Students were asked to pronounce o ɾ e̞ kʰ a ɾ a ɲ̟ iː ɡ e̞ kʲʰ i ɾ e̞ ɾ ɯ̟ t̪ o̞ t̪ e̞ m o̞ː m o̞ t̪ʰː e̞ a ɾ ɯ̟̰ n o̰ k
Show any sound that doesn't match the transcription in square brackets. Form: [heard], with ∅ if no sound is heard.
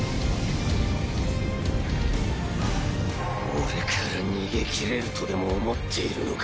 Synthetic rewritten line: o ɾ e̞ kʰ a ɾ a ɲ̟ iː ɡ e̞ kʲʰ i ɾ e̞ ɾ ɯ̟ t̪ o̞ [d̪] e̞ m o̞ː m o̞ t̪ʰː e̞ [i] ɾ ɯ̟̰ n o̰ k

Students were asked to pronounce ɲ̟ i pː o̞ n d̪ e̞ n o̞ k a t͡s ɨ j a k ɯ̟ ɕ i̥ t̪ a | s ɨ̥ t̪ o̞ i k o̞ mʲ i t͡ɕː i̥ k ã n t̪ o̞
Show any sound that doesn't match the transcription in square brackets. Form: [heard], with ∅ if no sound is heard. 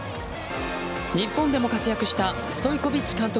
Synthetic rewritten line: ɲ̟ i pː [õ̞] n d̪ e̞ [m] o̞ k a t͡s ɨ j a k ɯ̟ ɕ i̥ t̪ a | s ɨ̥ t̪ o̞ i k o̞ [bʲ] i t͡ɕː i̥ k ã n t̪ o̞

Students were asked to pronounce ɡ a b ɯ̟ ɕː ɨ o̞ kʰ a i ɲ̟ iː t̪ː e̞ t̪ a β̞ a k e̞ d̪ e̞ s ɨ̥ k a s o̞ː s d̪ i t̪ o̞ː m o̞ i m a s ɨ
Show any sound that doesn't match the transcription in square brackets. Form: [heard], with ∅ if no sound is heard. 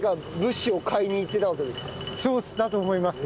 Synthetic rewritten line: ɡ a b ɯ̟ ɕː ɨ o̞ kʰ a i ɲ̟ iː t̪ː e̞ t̪ a β̞ a k e̞ d̪ e̞ s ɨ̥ k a s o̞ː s d̪ [a] t̪ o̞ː m o̞ i m a s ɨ

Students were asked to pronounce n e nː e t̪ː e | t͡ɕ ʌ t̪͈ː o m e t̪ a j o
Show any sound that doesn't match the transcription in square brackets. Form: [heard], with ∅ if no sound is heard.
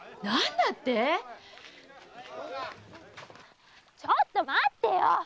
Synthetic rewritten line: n [a] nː [a] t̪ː e | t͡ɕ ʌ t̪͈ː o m [a] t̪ [e] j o

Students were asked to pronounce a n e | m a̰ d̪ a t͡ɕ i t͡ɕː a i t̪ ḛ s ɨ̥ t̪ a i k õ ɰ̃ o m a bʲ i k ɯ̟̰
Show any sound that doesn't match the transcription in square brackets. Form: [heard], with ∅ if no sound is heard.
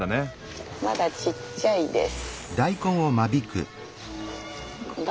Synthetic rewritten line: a n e | m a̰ d̪ a t͡ɕ i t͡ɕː a i [d̪] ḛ s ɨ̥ [d̪] a i k õ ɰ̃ o m a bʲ i k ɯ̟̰

